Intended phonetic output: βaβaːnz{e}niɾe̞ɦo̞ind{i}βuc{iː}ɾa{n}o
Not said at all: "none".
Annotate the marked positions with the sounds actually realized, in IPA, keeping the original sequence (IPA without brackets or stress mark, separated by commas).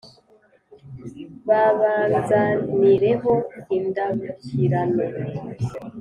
a, a, i, n